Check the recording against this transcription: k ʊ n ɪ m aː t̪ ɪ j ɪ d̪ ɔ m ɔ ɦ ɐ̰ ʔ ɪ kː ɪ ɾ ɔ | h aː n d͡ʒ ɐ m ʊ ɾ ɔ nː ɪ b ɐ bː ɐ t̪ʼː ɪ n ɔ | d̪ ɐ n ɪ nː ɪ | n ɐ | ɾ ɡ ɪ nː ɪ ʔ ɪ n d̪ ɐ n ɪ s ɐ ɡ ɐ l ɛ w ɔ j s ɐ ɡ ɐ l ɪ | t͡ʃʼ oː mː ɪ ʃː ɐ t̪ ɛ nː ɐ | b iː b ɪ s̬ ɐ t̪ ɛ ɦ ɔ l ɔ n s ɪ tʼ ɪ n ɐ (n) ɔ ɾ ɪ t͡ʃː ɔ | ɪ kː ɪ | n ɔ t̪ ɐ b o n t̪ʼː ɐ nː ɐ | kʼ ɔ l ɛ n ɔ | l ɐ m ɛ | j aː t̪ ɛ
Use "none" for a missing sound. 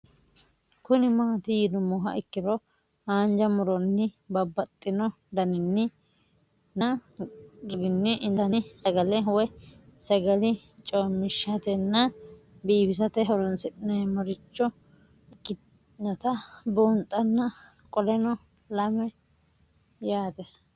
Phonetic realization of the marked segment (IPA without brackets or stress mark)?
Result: m